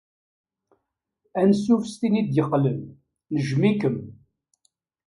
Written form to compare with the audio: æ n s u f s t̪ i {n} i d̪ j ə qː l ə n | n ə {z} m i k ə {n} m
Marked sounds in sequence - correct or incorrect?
correct, incorrect: ʒ, incorrect: none

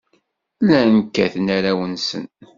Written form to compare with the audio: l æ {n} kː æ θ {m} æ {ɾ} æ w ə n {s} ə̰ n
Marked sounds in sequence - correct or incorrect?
correct, incorrect: n, correct, correct

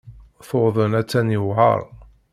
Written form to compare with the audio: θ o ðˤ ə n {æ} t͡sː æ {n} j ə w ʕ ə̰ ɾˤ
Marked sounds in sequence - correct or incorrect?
correct, correct

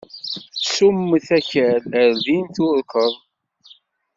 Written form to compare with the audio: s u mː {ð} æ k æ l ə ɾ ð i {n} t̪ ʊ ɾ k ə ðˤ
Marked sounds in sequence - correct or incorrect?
incorrect: θ, correct

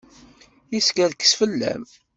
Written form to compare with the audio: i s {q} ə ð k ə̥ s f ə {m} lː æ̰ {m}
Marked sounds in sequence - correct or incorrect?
incorrect: k, incorrect: none, correct

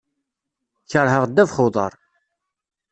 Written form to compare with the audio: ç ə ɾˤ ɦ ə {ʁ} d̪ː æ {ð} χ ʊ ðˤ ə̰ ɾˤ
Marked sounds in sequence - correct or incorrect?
correct, incorrect: v

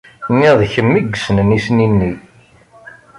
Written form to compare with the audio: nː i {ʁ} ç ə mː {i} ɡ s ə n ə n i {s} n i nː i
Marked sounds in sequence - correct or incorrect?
incorrect: ð, correct, correct

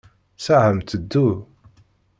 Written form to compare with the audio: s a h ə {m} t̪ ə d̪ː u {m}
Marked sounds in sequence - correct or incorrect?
correct, incorrect: none

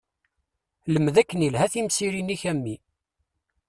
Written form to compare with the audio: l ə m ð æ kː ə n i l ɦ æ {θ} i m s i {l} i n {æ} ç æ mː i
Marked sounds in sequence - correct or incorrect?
correct, incorrect: ɾ, incorrect: i

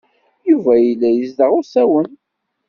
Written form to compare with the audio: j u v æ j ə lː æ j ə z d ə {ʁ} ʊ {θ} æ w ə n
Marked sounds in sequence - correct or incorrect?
correct, incorrect: s

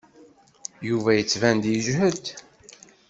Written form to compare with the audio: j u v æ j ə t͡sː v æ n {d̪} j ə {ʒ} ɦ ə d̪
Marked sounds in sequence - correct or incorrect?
correct, correct

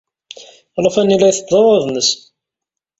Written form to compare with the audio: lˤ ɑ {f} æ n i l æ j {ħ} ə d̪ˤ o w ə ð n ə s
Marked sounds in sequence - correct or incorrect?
correct, incorrect: θ

